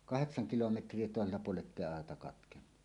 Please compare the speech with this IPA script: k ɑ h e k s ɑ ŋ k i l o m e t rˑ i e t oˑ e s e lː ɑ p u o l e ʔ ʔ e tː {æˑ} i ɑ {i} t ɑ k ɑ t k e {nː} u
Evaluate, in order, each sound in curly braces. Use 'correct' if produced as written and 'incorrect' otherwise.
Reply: incorrect: eˑ, incorrect: e, correct

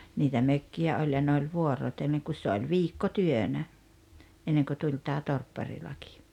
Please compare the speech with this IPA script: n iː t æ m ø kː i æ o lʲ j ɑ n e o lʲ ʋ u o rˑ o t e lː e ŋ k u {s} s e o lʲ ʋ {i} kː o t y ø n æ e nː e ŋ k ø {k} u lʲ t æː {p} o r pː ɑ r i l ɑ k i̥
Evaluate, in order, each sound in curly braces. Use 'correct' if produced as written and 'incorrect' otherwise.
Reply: correct, incorrect: iː, incorrect: t, incorrect: t

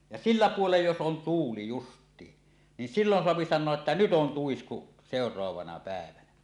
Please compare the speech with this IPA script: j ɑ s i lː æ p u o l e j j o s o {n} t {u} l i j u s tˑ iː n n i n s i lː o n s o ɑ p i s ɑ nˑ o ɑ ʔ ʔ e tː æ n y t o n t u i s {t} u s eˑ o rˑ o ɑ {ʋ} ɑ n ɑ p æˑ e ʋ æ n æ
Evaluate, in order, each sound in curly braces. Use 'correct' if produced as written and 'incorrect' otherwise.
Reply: correct, incorrect: uː, incorrect: k, correct

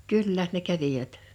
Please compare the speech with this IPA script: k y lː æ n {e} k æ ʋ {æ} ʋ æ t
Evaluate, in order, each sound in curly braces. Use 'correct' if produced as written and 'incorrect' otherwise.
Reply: correct, incorrect: i

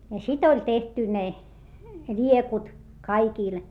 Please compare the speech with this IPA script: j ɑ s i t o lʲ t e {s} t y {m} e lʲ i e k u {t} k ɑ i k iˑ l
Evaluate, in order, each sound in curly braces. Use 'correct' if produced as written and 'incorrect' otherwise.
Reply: incorrect: h, incorrect: n, correct

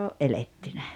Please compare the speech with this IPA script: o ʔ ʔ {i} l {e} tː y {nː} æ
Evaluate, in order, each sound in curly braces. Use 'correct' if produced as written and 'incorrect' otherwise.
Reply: incorrect: e, correct, incorrect: n

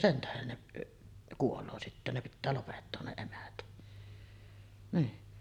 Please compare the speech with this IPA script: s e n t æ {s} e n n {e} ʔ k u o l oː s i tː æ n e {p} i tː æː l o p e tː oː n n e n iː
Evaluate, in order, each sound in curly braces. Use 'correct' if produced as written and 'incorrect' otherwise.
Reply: incorrect: h, correct, correct

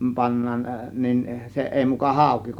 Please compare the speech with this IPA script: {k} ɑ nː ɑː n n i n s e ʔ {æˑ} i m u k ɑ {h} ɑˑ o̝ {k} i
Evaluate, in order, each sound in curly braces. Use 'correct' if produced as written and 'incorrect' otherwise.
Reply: incorrect: p, incorrect: eˑ, correct, correct

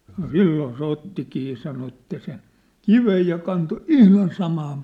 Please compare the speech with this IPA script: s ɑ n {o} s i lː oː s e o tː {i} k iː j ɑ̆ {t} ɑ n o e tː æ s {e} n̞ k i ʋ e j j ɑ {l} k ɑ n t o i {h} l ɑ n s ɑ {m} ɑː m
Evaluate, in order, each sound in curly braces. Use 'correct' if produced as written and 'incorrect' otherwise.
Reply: correct, correct, incorrect: s, correct, incorrect: none, correct, correct

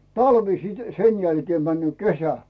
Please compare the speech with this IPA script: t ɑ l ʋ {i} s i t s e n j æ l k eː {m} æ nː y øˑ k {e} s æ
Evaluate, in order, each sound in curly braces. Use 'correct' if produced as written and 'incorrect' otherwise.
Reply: correct, correct, correct

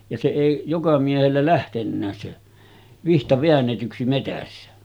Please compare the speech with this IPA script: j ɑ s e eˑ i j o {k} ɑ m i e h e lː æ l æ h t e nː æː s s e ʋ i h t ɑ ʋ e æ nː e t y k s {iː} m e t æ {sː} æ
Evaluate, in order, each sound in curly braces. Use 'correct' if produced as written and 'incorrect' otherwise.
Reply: correct, incorrect: i, correct

